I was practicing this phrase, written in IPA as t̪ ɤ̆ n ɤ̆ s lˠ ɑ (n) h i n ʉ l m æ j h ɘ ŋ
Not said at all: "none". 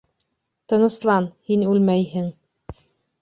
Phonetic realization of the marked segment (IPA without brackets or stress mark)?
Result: n